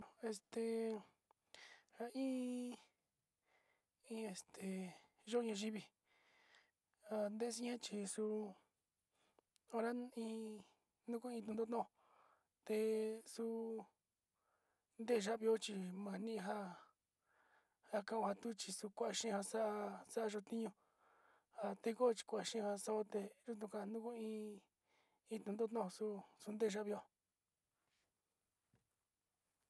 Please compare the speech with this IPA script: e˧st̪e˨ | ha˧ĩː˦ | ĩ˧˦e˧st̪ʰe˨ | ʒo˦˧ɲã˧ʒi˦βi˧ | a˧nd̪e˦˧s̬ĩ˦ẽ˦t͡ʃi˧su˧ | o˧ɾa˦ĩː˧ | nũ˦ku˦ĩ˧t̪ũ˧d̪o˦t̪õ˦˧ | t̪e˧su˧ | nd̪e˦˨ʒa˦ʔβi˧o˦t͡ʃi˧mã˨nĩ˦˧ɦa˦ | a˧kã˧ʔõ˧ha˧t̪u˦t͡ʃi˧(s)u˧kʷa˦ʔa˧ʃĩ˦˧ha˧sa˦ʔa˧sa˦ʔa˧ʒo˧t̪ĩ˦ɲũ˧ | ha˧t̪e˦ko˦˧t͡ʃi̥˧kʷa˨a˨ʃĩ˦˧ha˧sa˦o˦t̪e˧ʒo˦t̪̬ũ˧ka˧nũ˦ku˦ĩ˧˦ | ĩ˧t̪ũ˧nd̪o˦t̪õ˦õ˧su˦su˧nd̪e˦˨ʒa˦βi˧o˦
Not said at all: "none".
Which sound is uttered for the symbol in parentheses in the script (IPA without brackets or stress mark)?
s